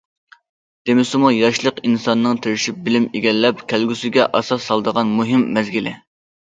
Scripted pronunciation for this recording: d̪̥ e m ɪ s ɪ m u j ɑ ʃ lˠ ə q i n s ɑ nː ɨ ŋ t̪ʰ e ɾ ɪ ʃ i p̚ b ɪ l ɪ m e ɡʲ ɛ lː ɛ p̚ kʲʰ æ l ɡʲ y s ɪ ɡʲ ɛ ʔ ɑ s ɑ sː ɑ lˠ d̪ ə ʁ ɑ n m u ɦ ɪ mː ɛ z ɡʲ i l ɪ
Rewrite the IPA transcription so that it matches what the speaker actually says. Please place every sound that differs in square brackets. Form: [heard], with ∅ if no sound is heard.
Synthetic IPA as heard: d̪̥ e m ɪ s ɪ m u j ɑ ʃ lˠ ə q i n s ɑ nː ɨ ŋ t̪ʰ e ɾ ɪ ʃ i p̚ b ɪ l ɪ m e ɡʲ ɛ lː ɛ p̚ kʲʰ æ l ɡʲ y s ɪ ɡʲ ɛ ʔ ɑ s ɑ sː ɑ lˠ d̪ ə ʁ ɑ n m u ɦ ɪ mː ɛ z ɡʲ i l ɪ